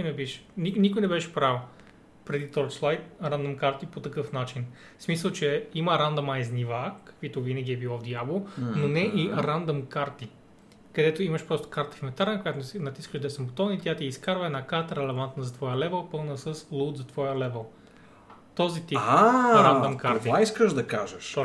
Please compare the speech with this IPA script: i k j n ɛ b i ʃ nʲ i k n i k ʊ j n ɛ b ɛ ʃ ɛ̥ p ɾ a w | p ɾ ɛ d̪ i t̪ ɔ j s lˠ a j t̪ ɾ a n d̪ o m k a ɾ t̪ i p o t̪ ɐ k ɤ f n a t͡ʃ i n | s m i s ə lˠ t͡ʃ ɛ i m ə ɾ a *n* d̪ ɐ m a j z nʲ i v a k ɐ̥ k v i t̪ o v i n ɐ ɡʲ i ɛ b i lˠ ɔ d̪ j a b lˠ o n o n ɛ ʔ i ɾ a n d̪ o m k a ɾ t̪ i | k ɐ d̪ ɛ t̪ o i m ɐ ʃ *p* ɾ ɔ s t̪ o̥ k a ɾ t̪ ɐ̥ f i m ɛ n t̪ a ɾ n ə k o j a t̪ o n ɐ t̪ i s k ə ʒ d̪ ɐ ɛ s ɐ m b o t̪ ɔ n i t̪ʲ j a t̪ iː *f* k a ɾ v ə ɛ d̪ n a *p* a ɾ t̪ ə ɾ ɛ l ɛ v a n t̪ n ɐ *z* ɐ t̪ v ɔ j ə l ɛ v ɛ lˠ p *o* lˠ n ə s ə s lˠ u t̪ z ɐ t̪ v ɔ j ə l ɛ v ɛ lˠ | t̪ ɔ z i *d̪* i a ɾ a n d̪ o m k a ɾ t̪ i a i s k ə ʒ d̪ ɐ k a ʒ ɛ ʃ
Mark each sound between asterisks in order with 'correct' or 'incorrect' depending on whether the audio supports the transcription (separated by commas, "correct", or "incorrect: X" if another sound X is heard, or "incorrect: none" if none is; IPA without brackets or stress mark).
correct, correct, incorrect: s, incorrect: k, correct, incorrect: ɤ, incorrect: t̪